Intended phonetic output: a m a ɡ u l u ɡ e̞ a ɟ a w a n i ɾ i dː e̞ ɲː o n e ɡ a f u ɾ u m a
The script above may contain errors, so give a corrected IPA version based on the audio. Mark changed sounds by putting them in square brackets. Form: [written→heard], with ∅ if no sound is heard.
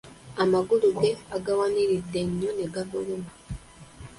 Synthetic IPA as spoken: a m a ɡ u l u ɡ e̞ a [ɟ→ɡ] a w a n i ɾ i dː e̞ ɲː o n e ɡ a [f→v] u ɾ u m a